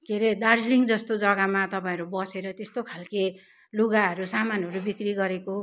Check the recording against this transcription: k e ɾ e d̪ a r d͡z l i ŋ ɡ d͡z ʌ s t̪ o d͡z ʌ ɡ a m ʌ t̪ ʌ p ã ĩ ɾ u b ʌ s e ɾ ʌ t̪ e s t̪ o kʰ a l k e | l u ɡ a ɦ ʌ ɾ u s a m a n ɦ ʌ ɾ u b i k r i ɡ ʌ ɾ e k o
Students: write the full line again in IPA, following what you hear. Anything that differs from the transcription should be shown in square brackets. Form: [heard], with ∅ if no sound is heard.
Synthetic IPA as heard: k e ɾ e d̪ a r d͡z l i ŋ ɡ d͡z ʌ s t̪ o d͡z ʌ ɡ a m [a] t̪ ʌ p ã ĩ ɾ u b ʌ s e ɾ ʌ t̪ e s t̪ o kʰ a l k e | l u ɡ a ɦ ʌ ɾ u s a m a n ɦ ʌ ɾ u b i k r i ɡ ʌ ɾ e k o